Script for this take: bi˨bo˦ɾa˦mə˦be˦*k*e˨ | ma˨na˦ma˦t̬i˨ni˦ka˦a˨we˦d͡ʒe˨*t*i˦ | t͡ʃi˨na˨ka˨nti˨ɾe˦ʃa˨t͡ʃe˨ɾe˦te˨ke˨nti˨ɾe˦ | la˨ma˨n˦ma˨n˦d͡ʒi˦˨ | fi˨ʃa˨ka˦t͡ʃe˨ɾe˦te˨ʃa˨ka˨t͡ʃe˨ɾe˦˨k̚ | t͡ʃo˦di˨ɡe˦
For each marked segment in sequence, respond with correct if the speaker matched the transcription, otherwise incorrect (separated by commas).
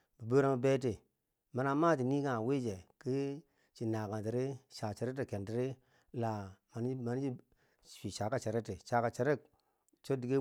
incorrect, incorrect